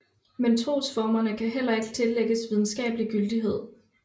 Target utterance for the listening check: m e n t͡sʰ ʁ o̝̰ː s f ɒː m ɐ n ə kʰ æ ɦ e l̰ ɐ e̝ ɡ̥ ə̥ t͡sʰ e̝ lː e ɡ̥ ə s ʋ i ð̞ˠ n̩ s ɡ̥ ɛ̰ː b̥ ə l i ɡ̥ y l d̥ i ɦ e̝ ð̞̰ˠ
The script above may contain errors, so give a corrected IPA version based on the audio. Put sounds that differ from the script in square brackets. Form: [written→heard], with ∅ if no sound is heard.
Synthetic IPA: m e n t͡sʰ ʁ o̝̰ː s f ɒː m ɐ n ə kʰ æ ɦ e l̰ ɐ e̝ ɡ̥ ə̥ t͡sʰ e̝ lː e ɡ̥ ə s ʋ i ð̞ˠ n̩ s ɡ̥ ɛ̰ː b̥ ə l i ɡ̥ y l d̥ i ɦ e̝ ð̞̰ˠ

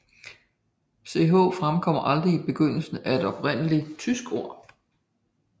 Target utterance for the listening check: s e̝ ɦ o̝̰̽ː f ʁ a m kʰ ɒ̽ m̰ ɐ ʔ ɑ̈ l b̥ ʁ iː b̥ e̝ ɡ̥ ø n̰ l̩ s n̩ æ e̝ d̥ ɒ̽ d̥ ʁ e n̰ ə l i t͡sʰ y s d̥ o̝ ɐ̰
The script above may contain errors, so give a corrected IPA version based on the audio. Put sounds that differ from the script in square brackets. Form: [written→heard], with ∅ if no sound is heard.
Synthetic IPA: s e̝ ɦ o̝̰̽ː f ʁ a m kʰ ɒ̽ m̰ ɐ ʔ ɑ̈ l [b̥→d̥] ʁ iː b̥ e̝ ɡ̥ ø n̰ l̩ s n̩ æ e̝ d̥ ɒ̽ [d̥→b̥] ʁ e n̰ ə l i t͡sʰ y s [d̥→ɡ̥] o̝ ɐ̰

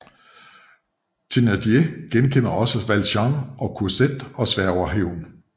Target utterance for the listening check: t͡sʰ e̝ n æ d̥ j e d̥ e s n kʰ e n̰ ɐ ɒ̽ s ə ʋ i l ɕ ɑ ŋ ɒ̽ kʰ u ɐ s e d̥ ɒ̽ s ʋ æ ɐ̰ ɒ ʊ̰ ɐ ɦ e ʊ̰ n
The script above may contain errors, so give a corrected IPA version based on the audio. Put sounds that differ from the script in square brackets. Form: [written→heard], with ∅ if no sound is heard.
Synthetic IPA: t͡sʰ e̝ n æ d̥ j e [d̥→ɡ̥] e [s→∅] n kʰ e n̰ ɐ ɒ̽ s ə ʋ [i→æ] l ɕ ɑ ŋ ɒ̽ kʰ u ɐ s e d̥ ɒ̽ s ʋ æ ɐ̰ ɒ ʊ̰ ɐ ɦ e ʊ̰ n

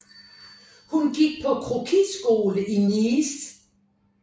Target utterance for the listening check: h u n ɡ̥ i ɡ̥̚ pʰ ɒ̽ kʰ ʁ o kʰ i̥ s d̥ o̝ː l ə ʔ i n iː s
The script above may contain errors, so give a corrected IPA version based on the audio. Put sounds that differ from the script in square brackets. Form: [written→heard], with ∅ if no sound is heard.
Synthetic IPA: h u n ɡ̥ i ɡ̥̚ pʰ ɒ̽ kʰ ʁ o kʰ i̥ s [d̥→ɡ̥] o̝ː l ə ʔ i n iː s

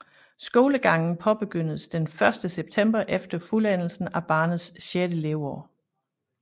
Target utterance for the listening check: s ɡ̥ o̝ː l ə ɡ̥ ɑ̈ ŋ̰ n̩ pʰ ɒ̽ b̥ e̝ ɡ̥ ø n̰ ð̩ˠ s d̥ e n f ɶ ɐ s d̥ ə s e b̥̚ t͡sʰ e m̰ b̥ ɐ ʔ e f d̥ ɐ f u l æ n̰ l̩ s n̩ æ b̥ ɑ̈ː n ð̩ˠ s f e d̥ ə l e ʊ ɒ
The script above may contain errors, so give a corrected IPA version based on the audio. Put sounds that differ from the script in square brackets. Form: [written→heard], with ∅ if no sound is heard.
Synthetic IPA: s ɡ̥ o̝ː l ə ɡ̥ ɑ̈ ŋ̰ n̩ pʰ ɒ̽ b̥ e̝ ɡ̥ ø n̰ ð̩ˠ s d̥ e n f ɶ ɐ s d̥ ə s e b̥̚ t͡sʰ e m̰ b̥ ɐ ʔ e f d̥ ɐ f u l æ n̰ l̩ s n̩ æ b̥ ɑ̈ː n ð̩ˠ s [f→ɕ] e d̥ ə l e ʊ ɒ

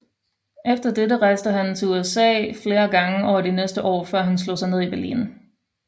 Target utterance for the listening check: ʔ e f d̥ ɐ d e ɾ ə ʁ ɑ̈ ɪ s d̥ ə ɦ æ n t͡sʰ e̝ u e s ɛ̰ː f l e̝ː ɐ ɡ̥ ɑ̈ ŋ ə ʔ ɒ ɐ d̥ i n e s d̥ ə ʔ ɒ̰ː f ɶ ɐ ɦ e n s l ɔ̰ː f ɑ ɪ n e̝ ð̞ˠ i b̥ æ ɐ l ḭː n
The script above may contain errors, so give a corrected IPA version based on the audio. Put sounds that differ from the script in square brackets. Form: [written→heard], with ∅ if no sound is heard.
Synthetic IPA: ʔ e f d̥ ɐ d e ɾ ə ʁ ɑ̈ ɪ s d̥ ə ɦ æ n t͡sʰ e̝ u e s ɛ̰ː f l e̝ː ɐ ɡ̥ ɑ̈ ŋ ə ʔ ɒ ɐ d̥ i n e s d̥ ə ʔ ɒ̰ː f ɶ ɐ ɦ [e→æ] n s l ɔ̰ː [f→s] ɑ ɪ n e̝ ð̞ˠ i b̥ æ ɐ l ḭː n

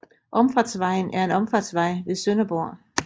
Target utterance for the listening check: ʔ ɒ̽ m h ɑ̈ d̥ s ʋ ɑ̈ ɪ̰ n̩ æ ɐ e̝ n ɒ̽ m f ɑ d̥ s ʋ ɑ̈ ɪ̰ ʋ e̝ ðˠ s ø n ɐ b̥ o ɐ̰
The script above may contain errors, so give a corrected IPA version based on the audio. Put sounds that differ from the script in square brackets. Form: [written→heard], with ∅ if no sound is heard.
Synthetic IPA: ʔ ɒ̽ m [h→f] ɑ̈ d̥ s ʋ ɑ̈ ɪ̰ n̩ æ ɐ e̝ n ɒ̽ m f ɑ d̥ s ʋ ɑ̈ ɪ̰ ʋ e̝ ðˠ s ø n ɐ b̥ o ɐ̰

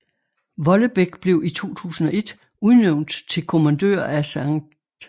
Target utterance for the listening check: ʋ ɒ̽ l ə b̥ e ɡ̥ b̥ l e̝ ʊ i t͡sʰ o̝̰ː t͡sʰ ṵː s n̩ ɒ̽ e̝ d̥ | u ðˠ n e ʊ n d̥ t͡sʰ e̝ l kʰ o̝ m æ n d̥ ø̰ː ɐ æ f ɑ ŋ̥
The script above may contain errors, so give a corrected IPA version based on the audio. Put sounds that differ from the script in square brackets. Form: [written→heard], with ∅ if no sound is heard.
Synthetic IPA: ʋ ɒ̽ l ə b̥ e ɡ̥ b̥ l e̝ ʊ i t͡sʰ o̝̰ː t͡sʰ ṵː s n̩ ɒ̽ e̝ d̥ | u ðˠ n e ʊ n d̥ t͡sʰ e̝ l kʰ o̝ m æ n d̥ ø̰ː ɐ æ [f→s] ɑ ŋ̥

